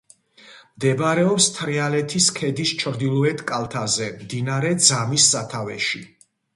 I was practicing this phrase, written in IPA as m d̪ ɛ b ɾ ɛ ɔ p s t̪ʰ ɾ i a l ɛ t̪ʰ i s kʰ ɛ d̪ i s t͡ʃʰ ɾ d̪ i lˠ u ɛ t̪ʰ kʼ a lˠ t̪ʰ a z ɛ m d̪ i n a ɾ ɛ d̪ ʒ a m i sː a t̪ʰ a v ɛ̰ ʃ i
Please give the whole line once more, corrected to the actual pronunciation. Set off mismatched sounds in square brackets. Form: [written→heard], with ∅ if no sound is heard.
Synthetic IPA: m d̪ ɛ b ɾ ɛ ɔ p s t̪ʰ ɾ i a l ɛ t̪ʰ i s kʰ ɛ d̪ i s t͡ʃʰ ɾ d̪ i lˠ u ɛ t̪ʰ kʼ a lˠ t̪ʰ a z ɛ m d̪ i n a ɾ ɛ d̪ [ʒ→z] a m i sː a t̪ʰ a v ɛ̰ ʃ i